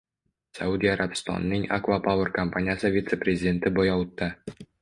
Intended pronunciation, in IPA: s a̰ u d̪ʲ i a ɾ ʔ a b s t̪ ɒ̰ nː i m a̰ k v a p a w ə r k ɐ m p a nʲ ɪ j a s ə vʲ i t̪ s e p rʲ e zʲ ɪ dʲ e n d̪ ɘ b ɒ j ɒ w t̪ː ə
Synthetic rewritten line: s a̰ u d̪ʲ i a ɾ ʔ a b s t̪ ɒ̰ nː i ŋ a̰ k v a p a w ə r k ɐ m p a nʲ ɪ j a s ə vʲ i t̪ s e p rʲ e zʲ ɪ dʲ e n t̪ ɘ b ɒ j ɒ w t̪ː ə